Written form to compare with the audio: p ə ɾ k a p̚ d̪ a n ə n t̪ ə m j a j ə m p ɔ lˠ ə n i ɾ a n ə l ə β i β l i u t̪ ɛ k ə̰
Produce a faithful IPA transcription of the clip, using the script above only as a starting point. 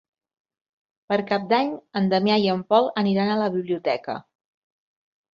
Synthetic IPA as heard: p ə ɾ k a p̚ d̪ a ɲ ə n d̪ ə m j a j ə m p ɔ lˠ ə n i ɾ a n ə l ə β i β l i u t̪ ɛ k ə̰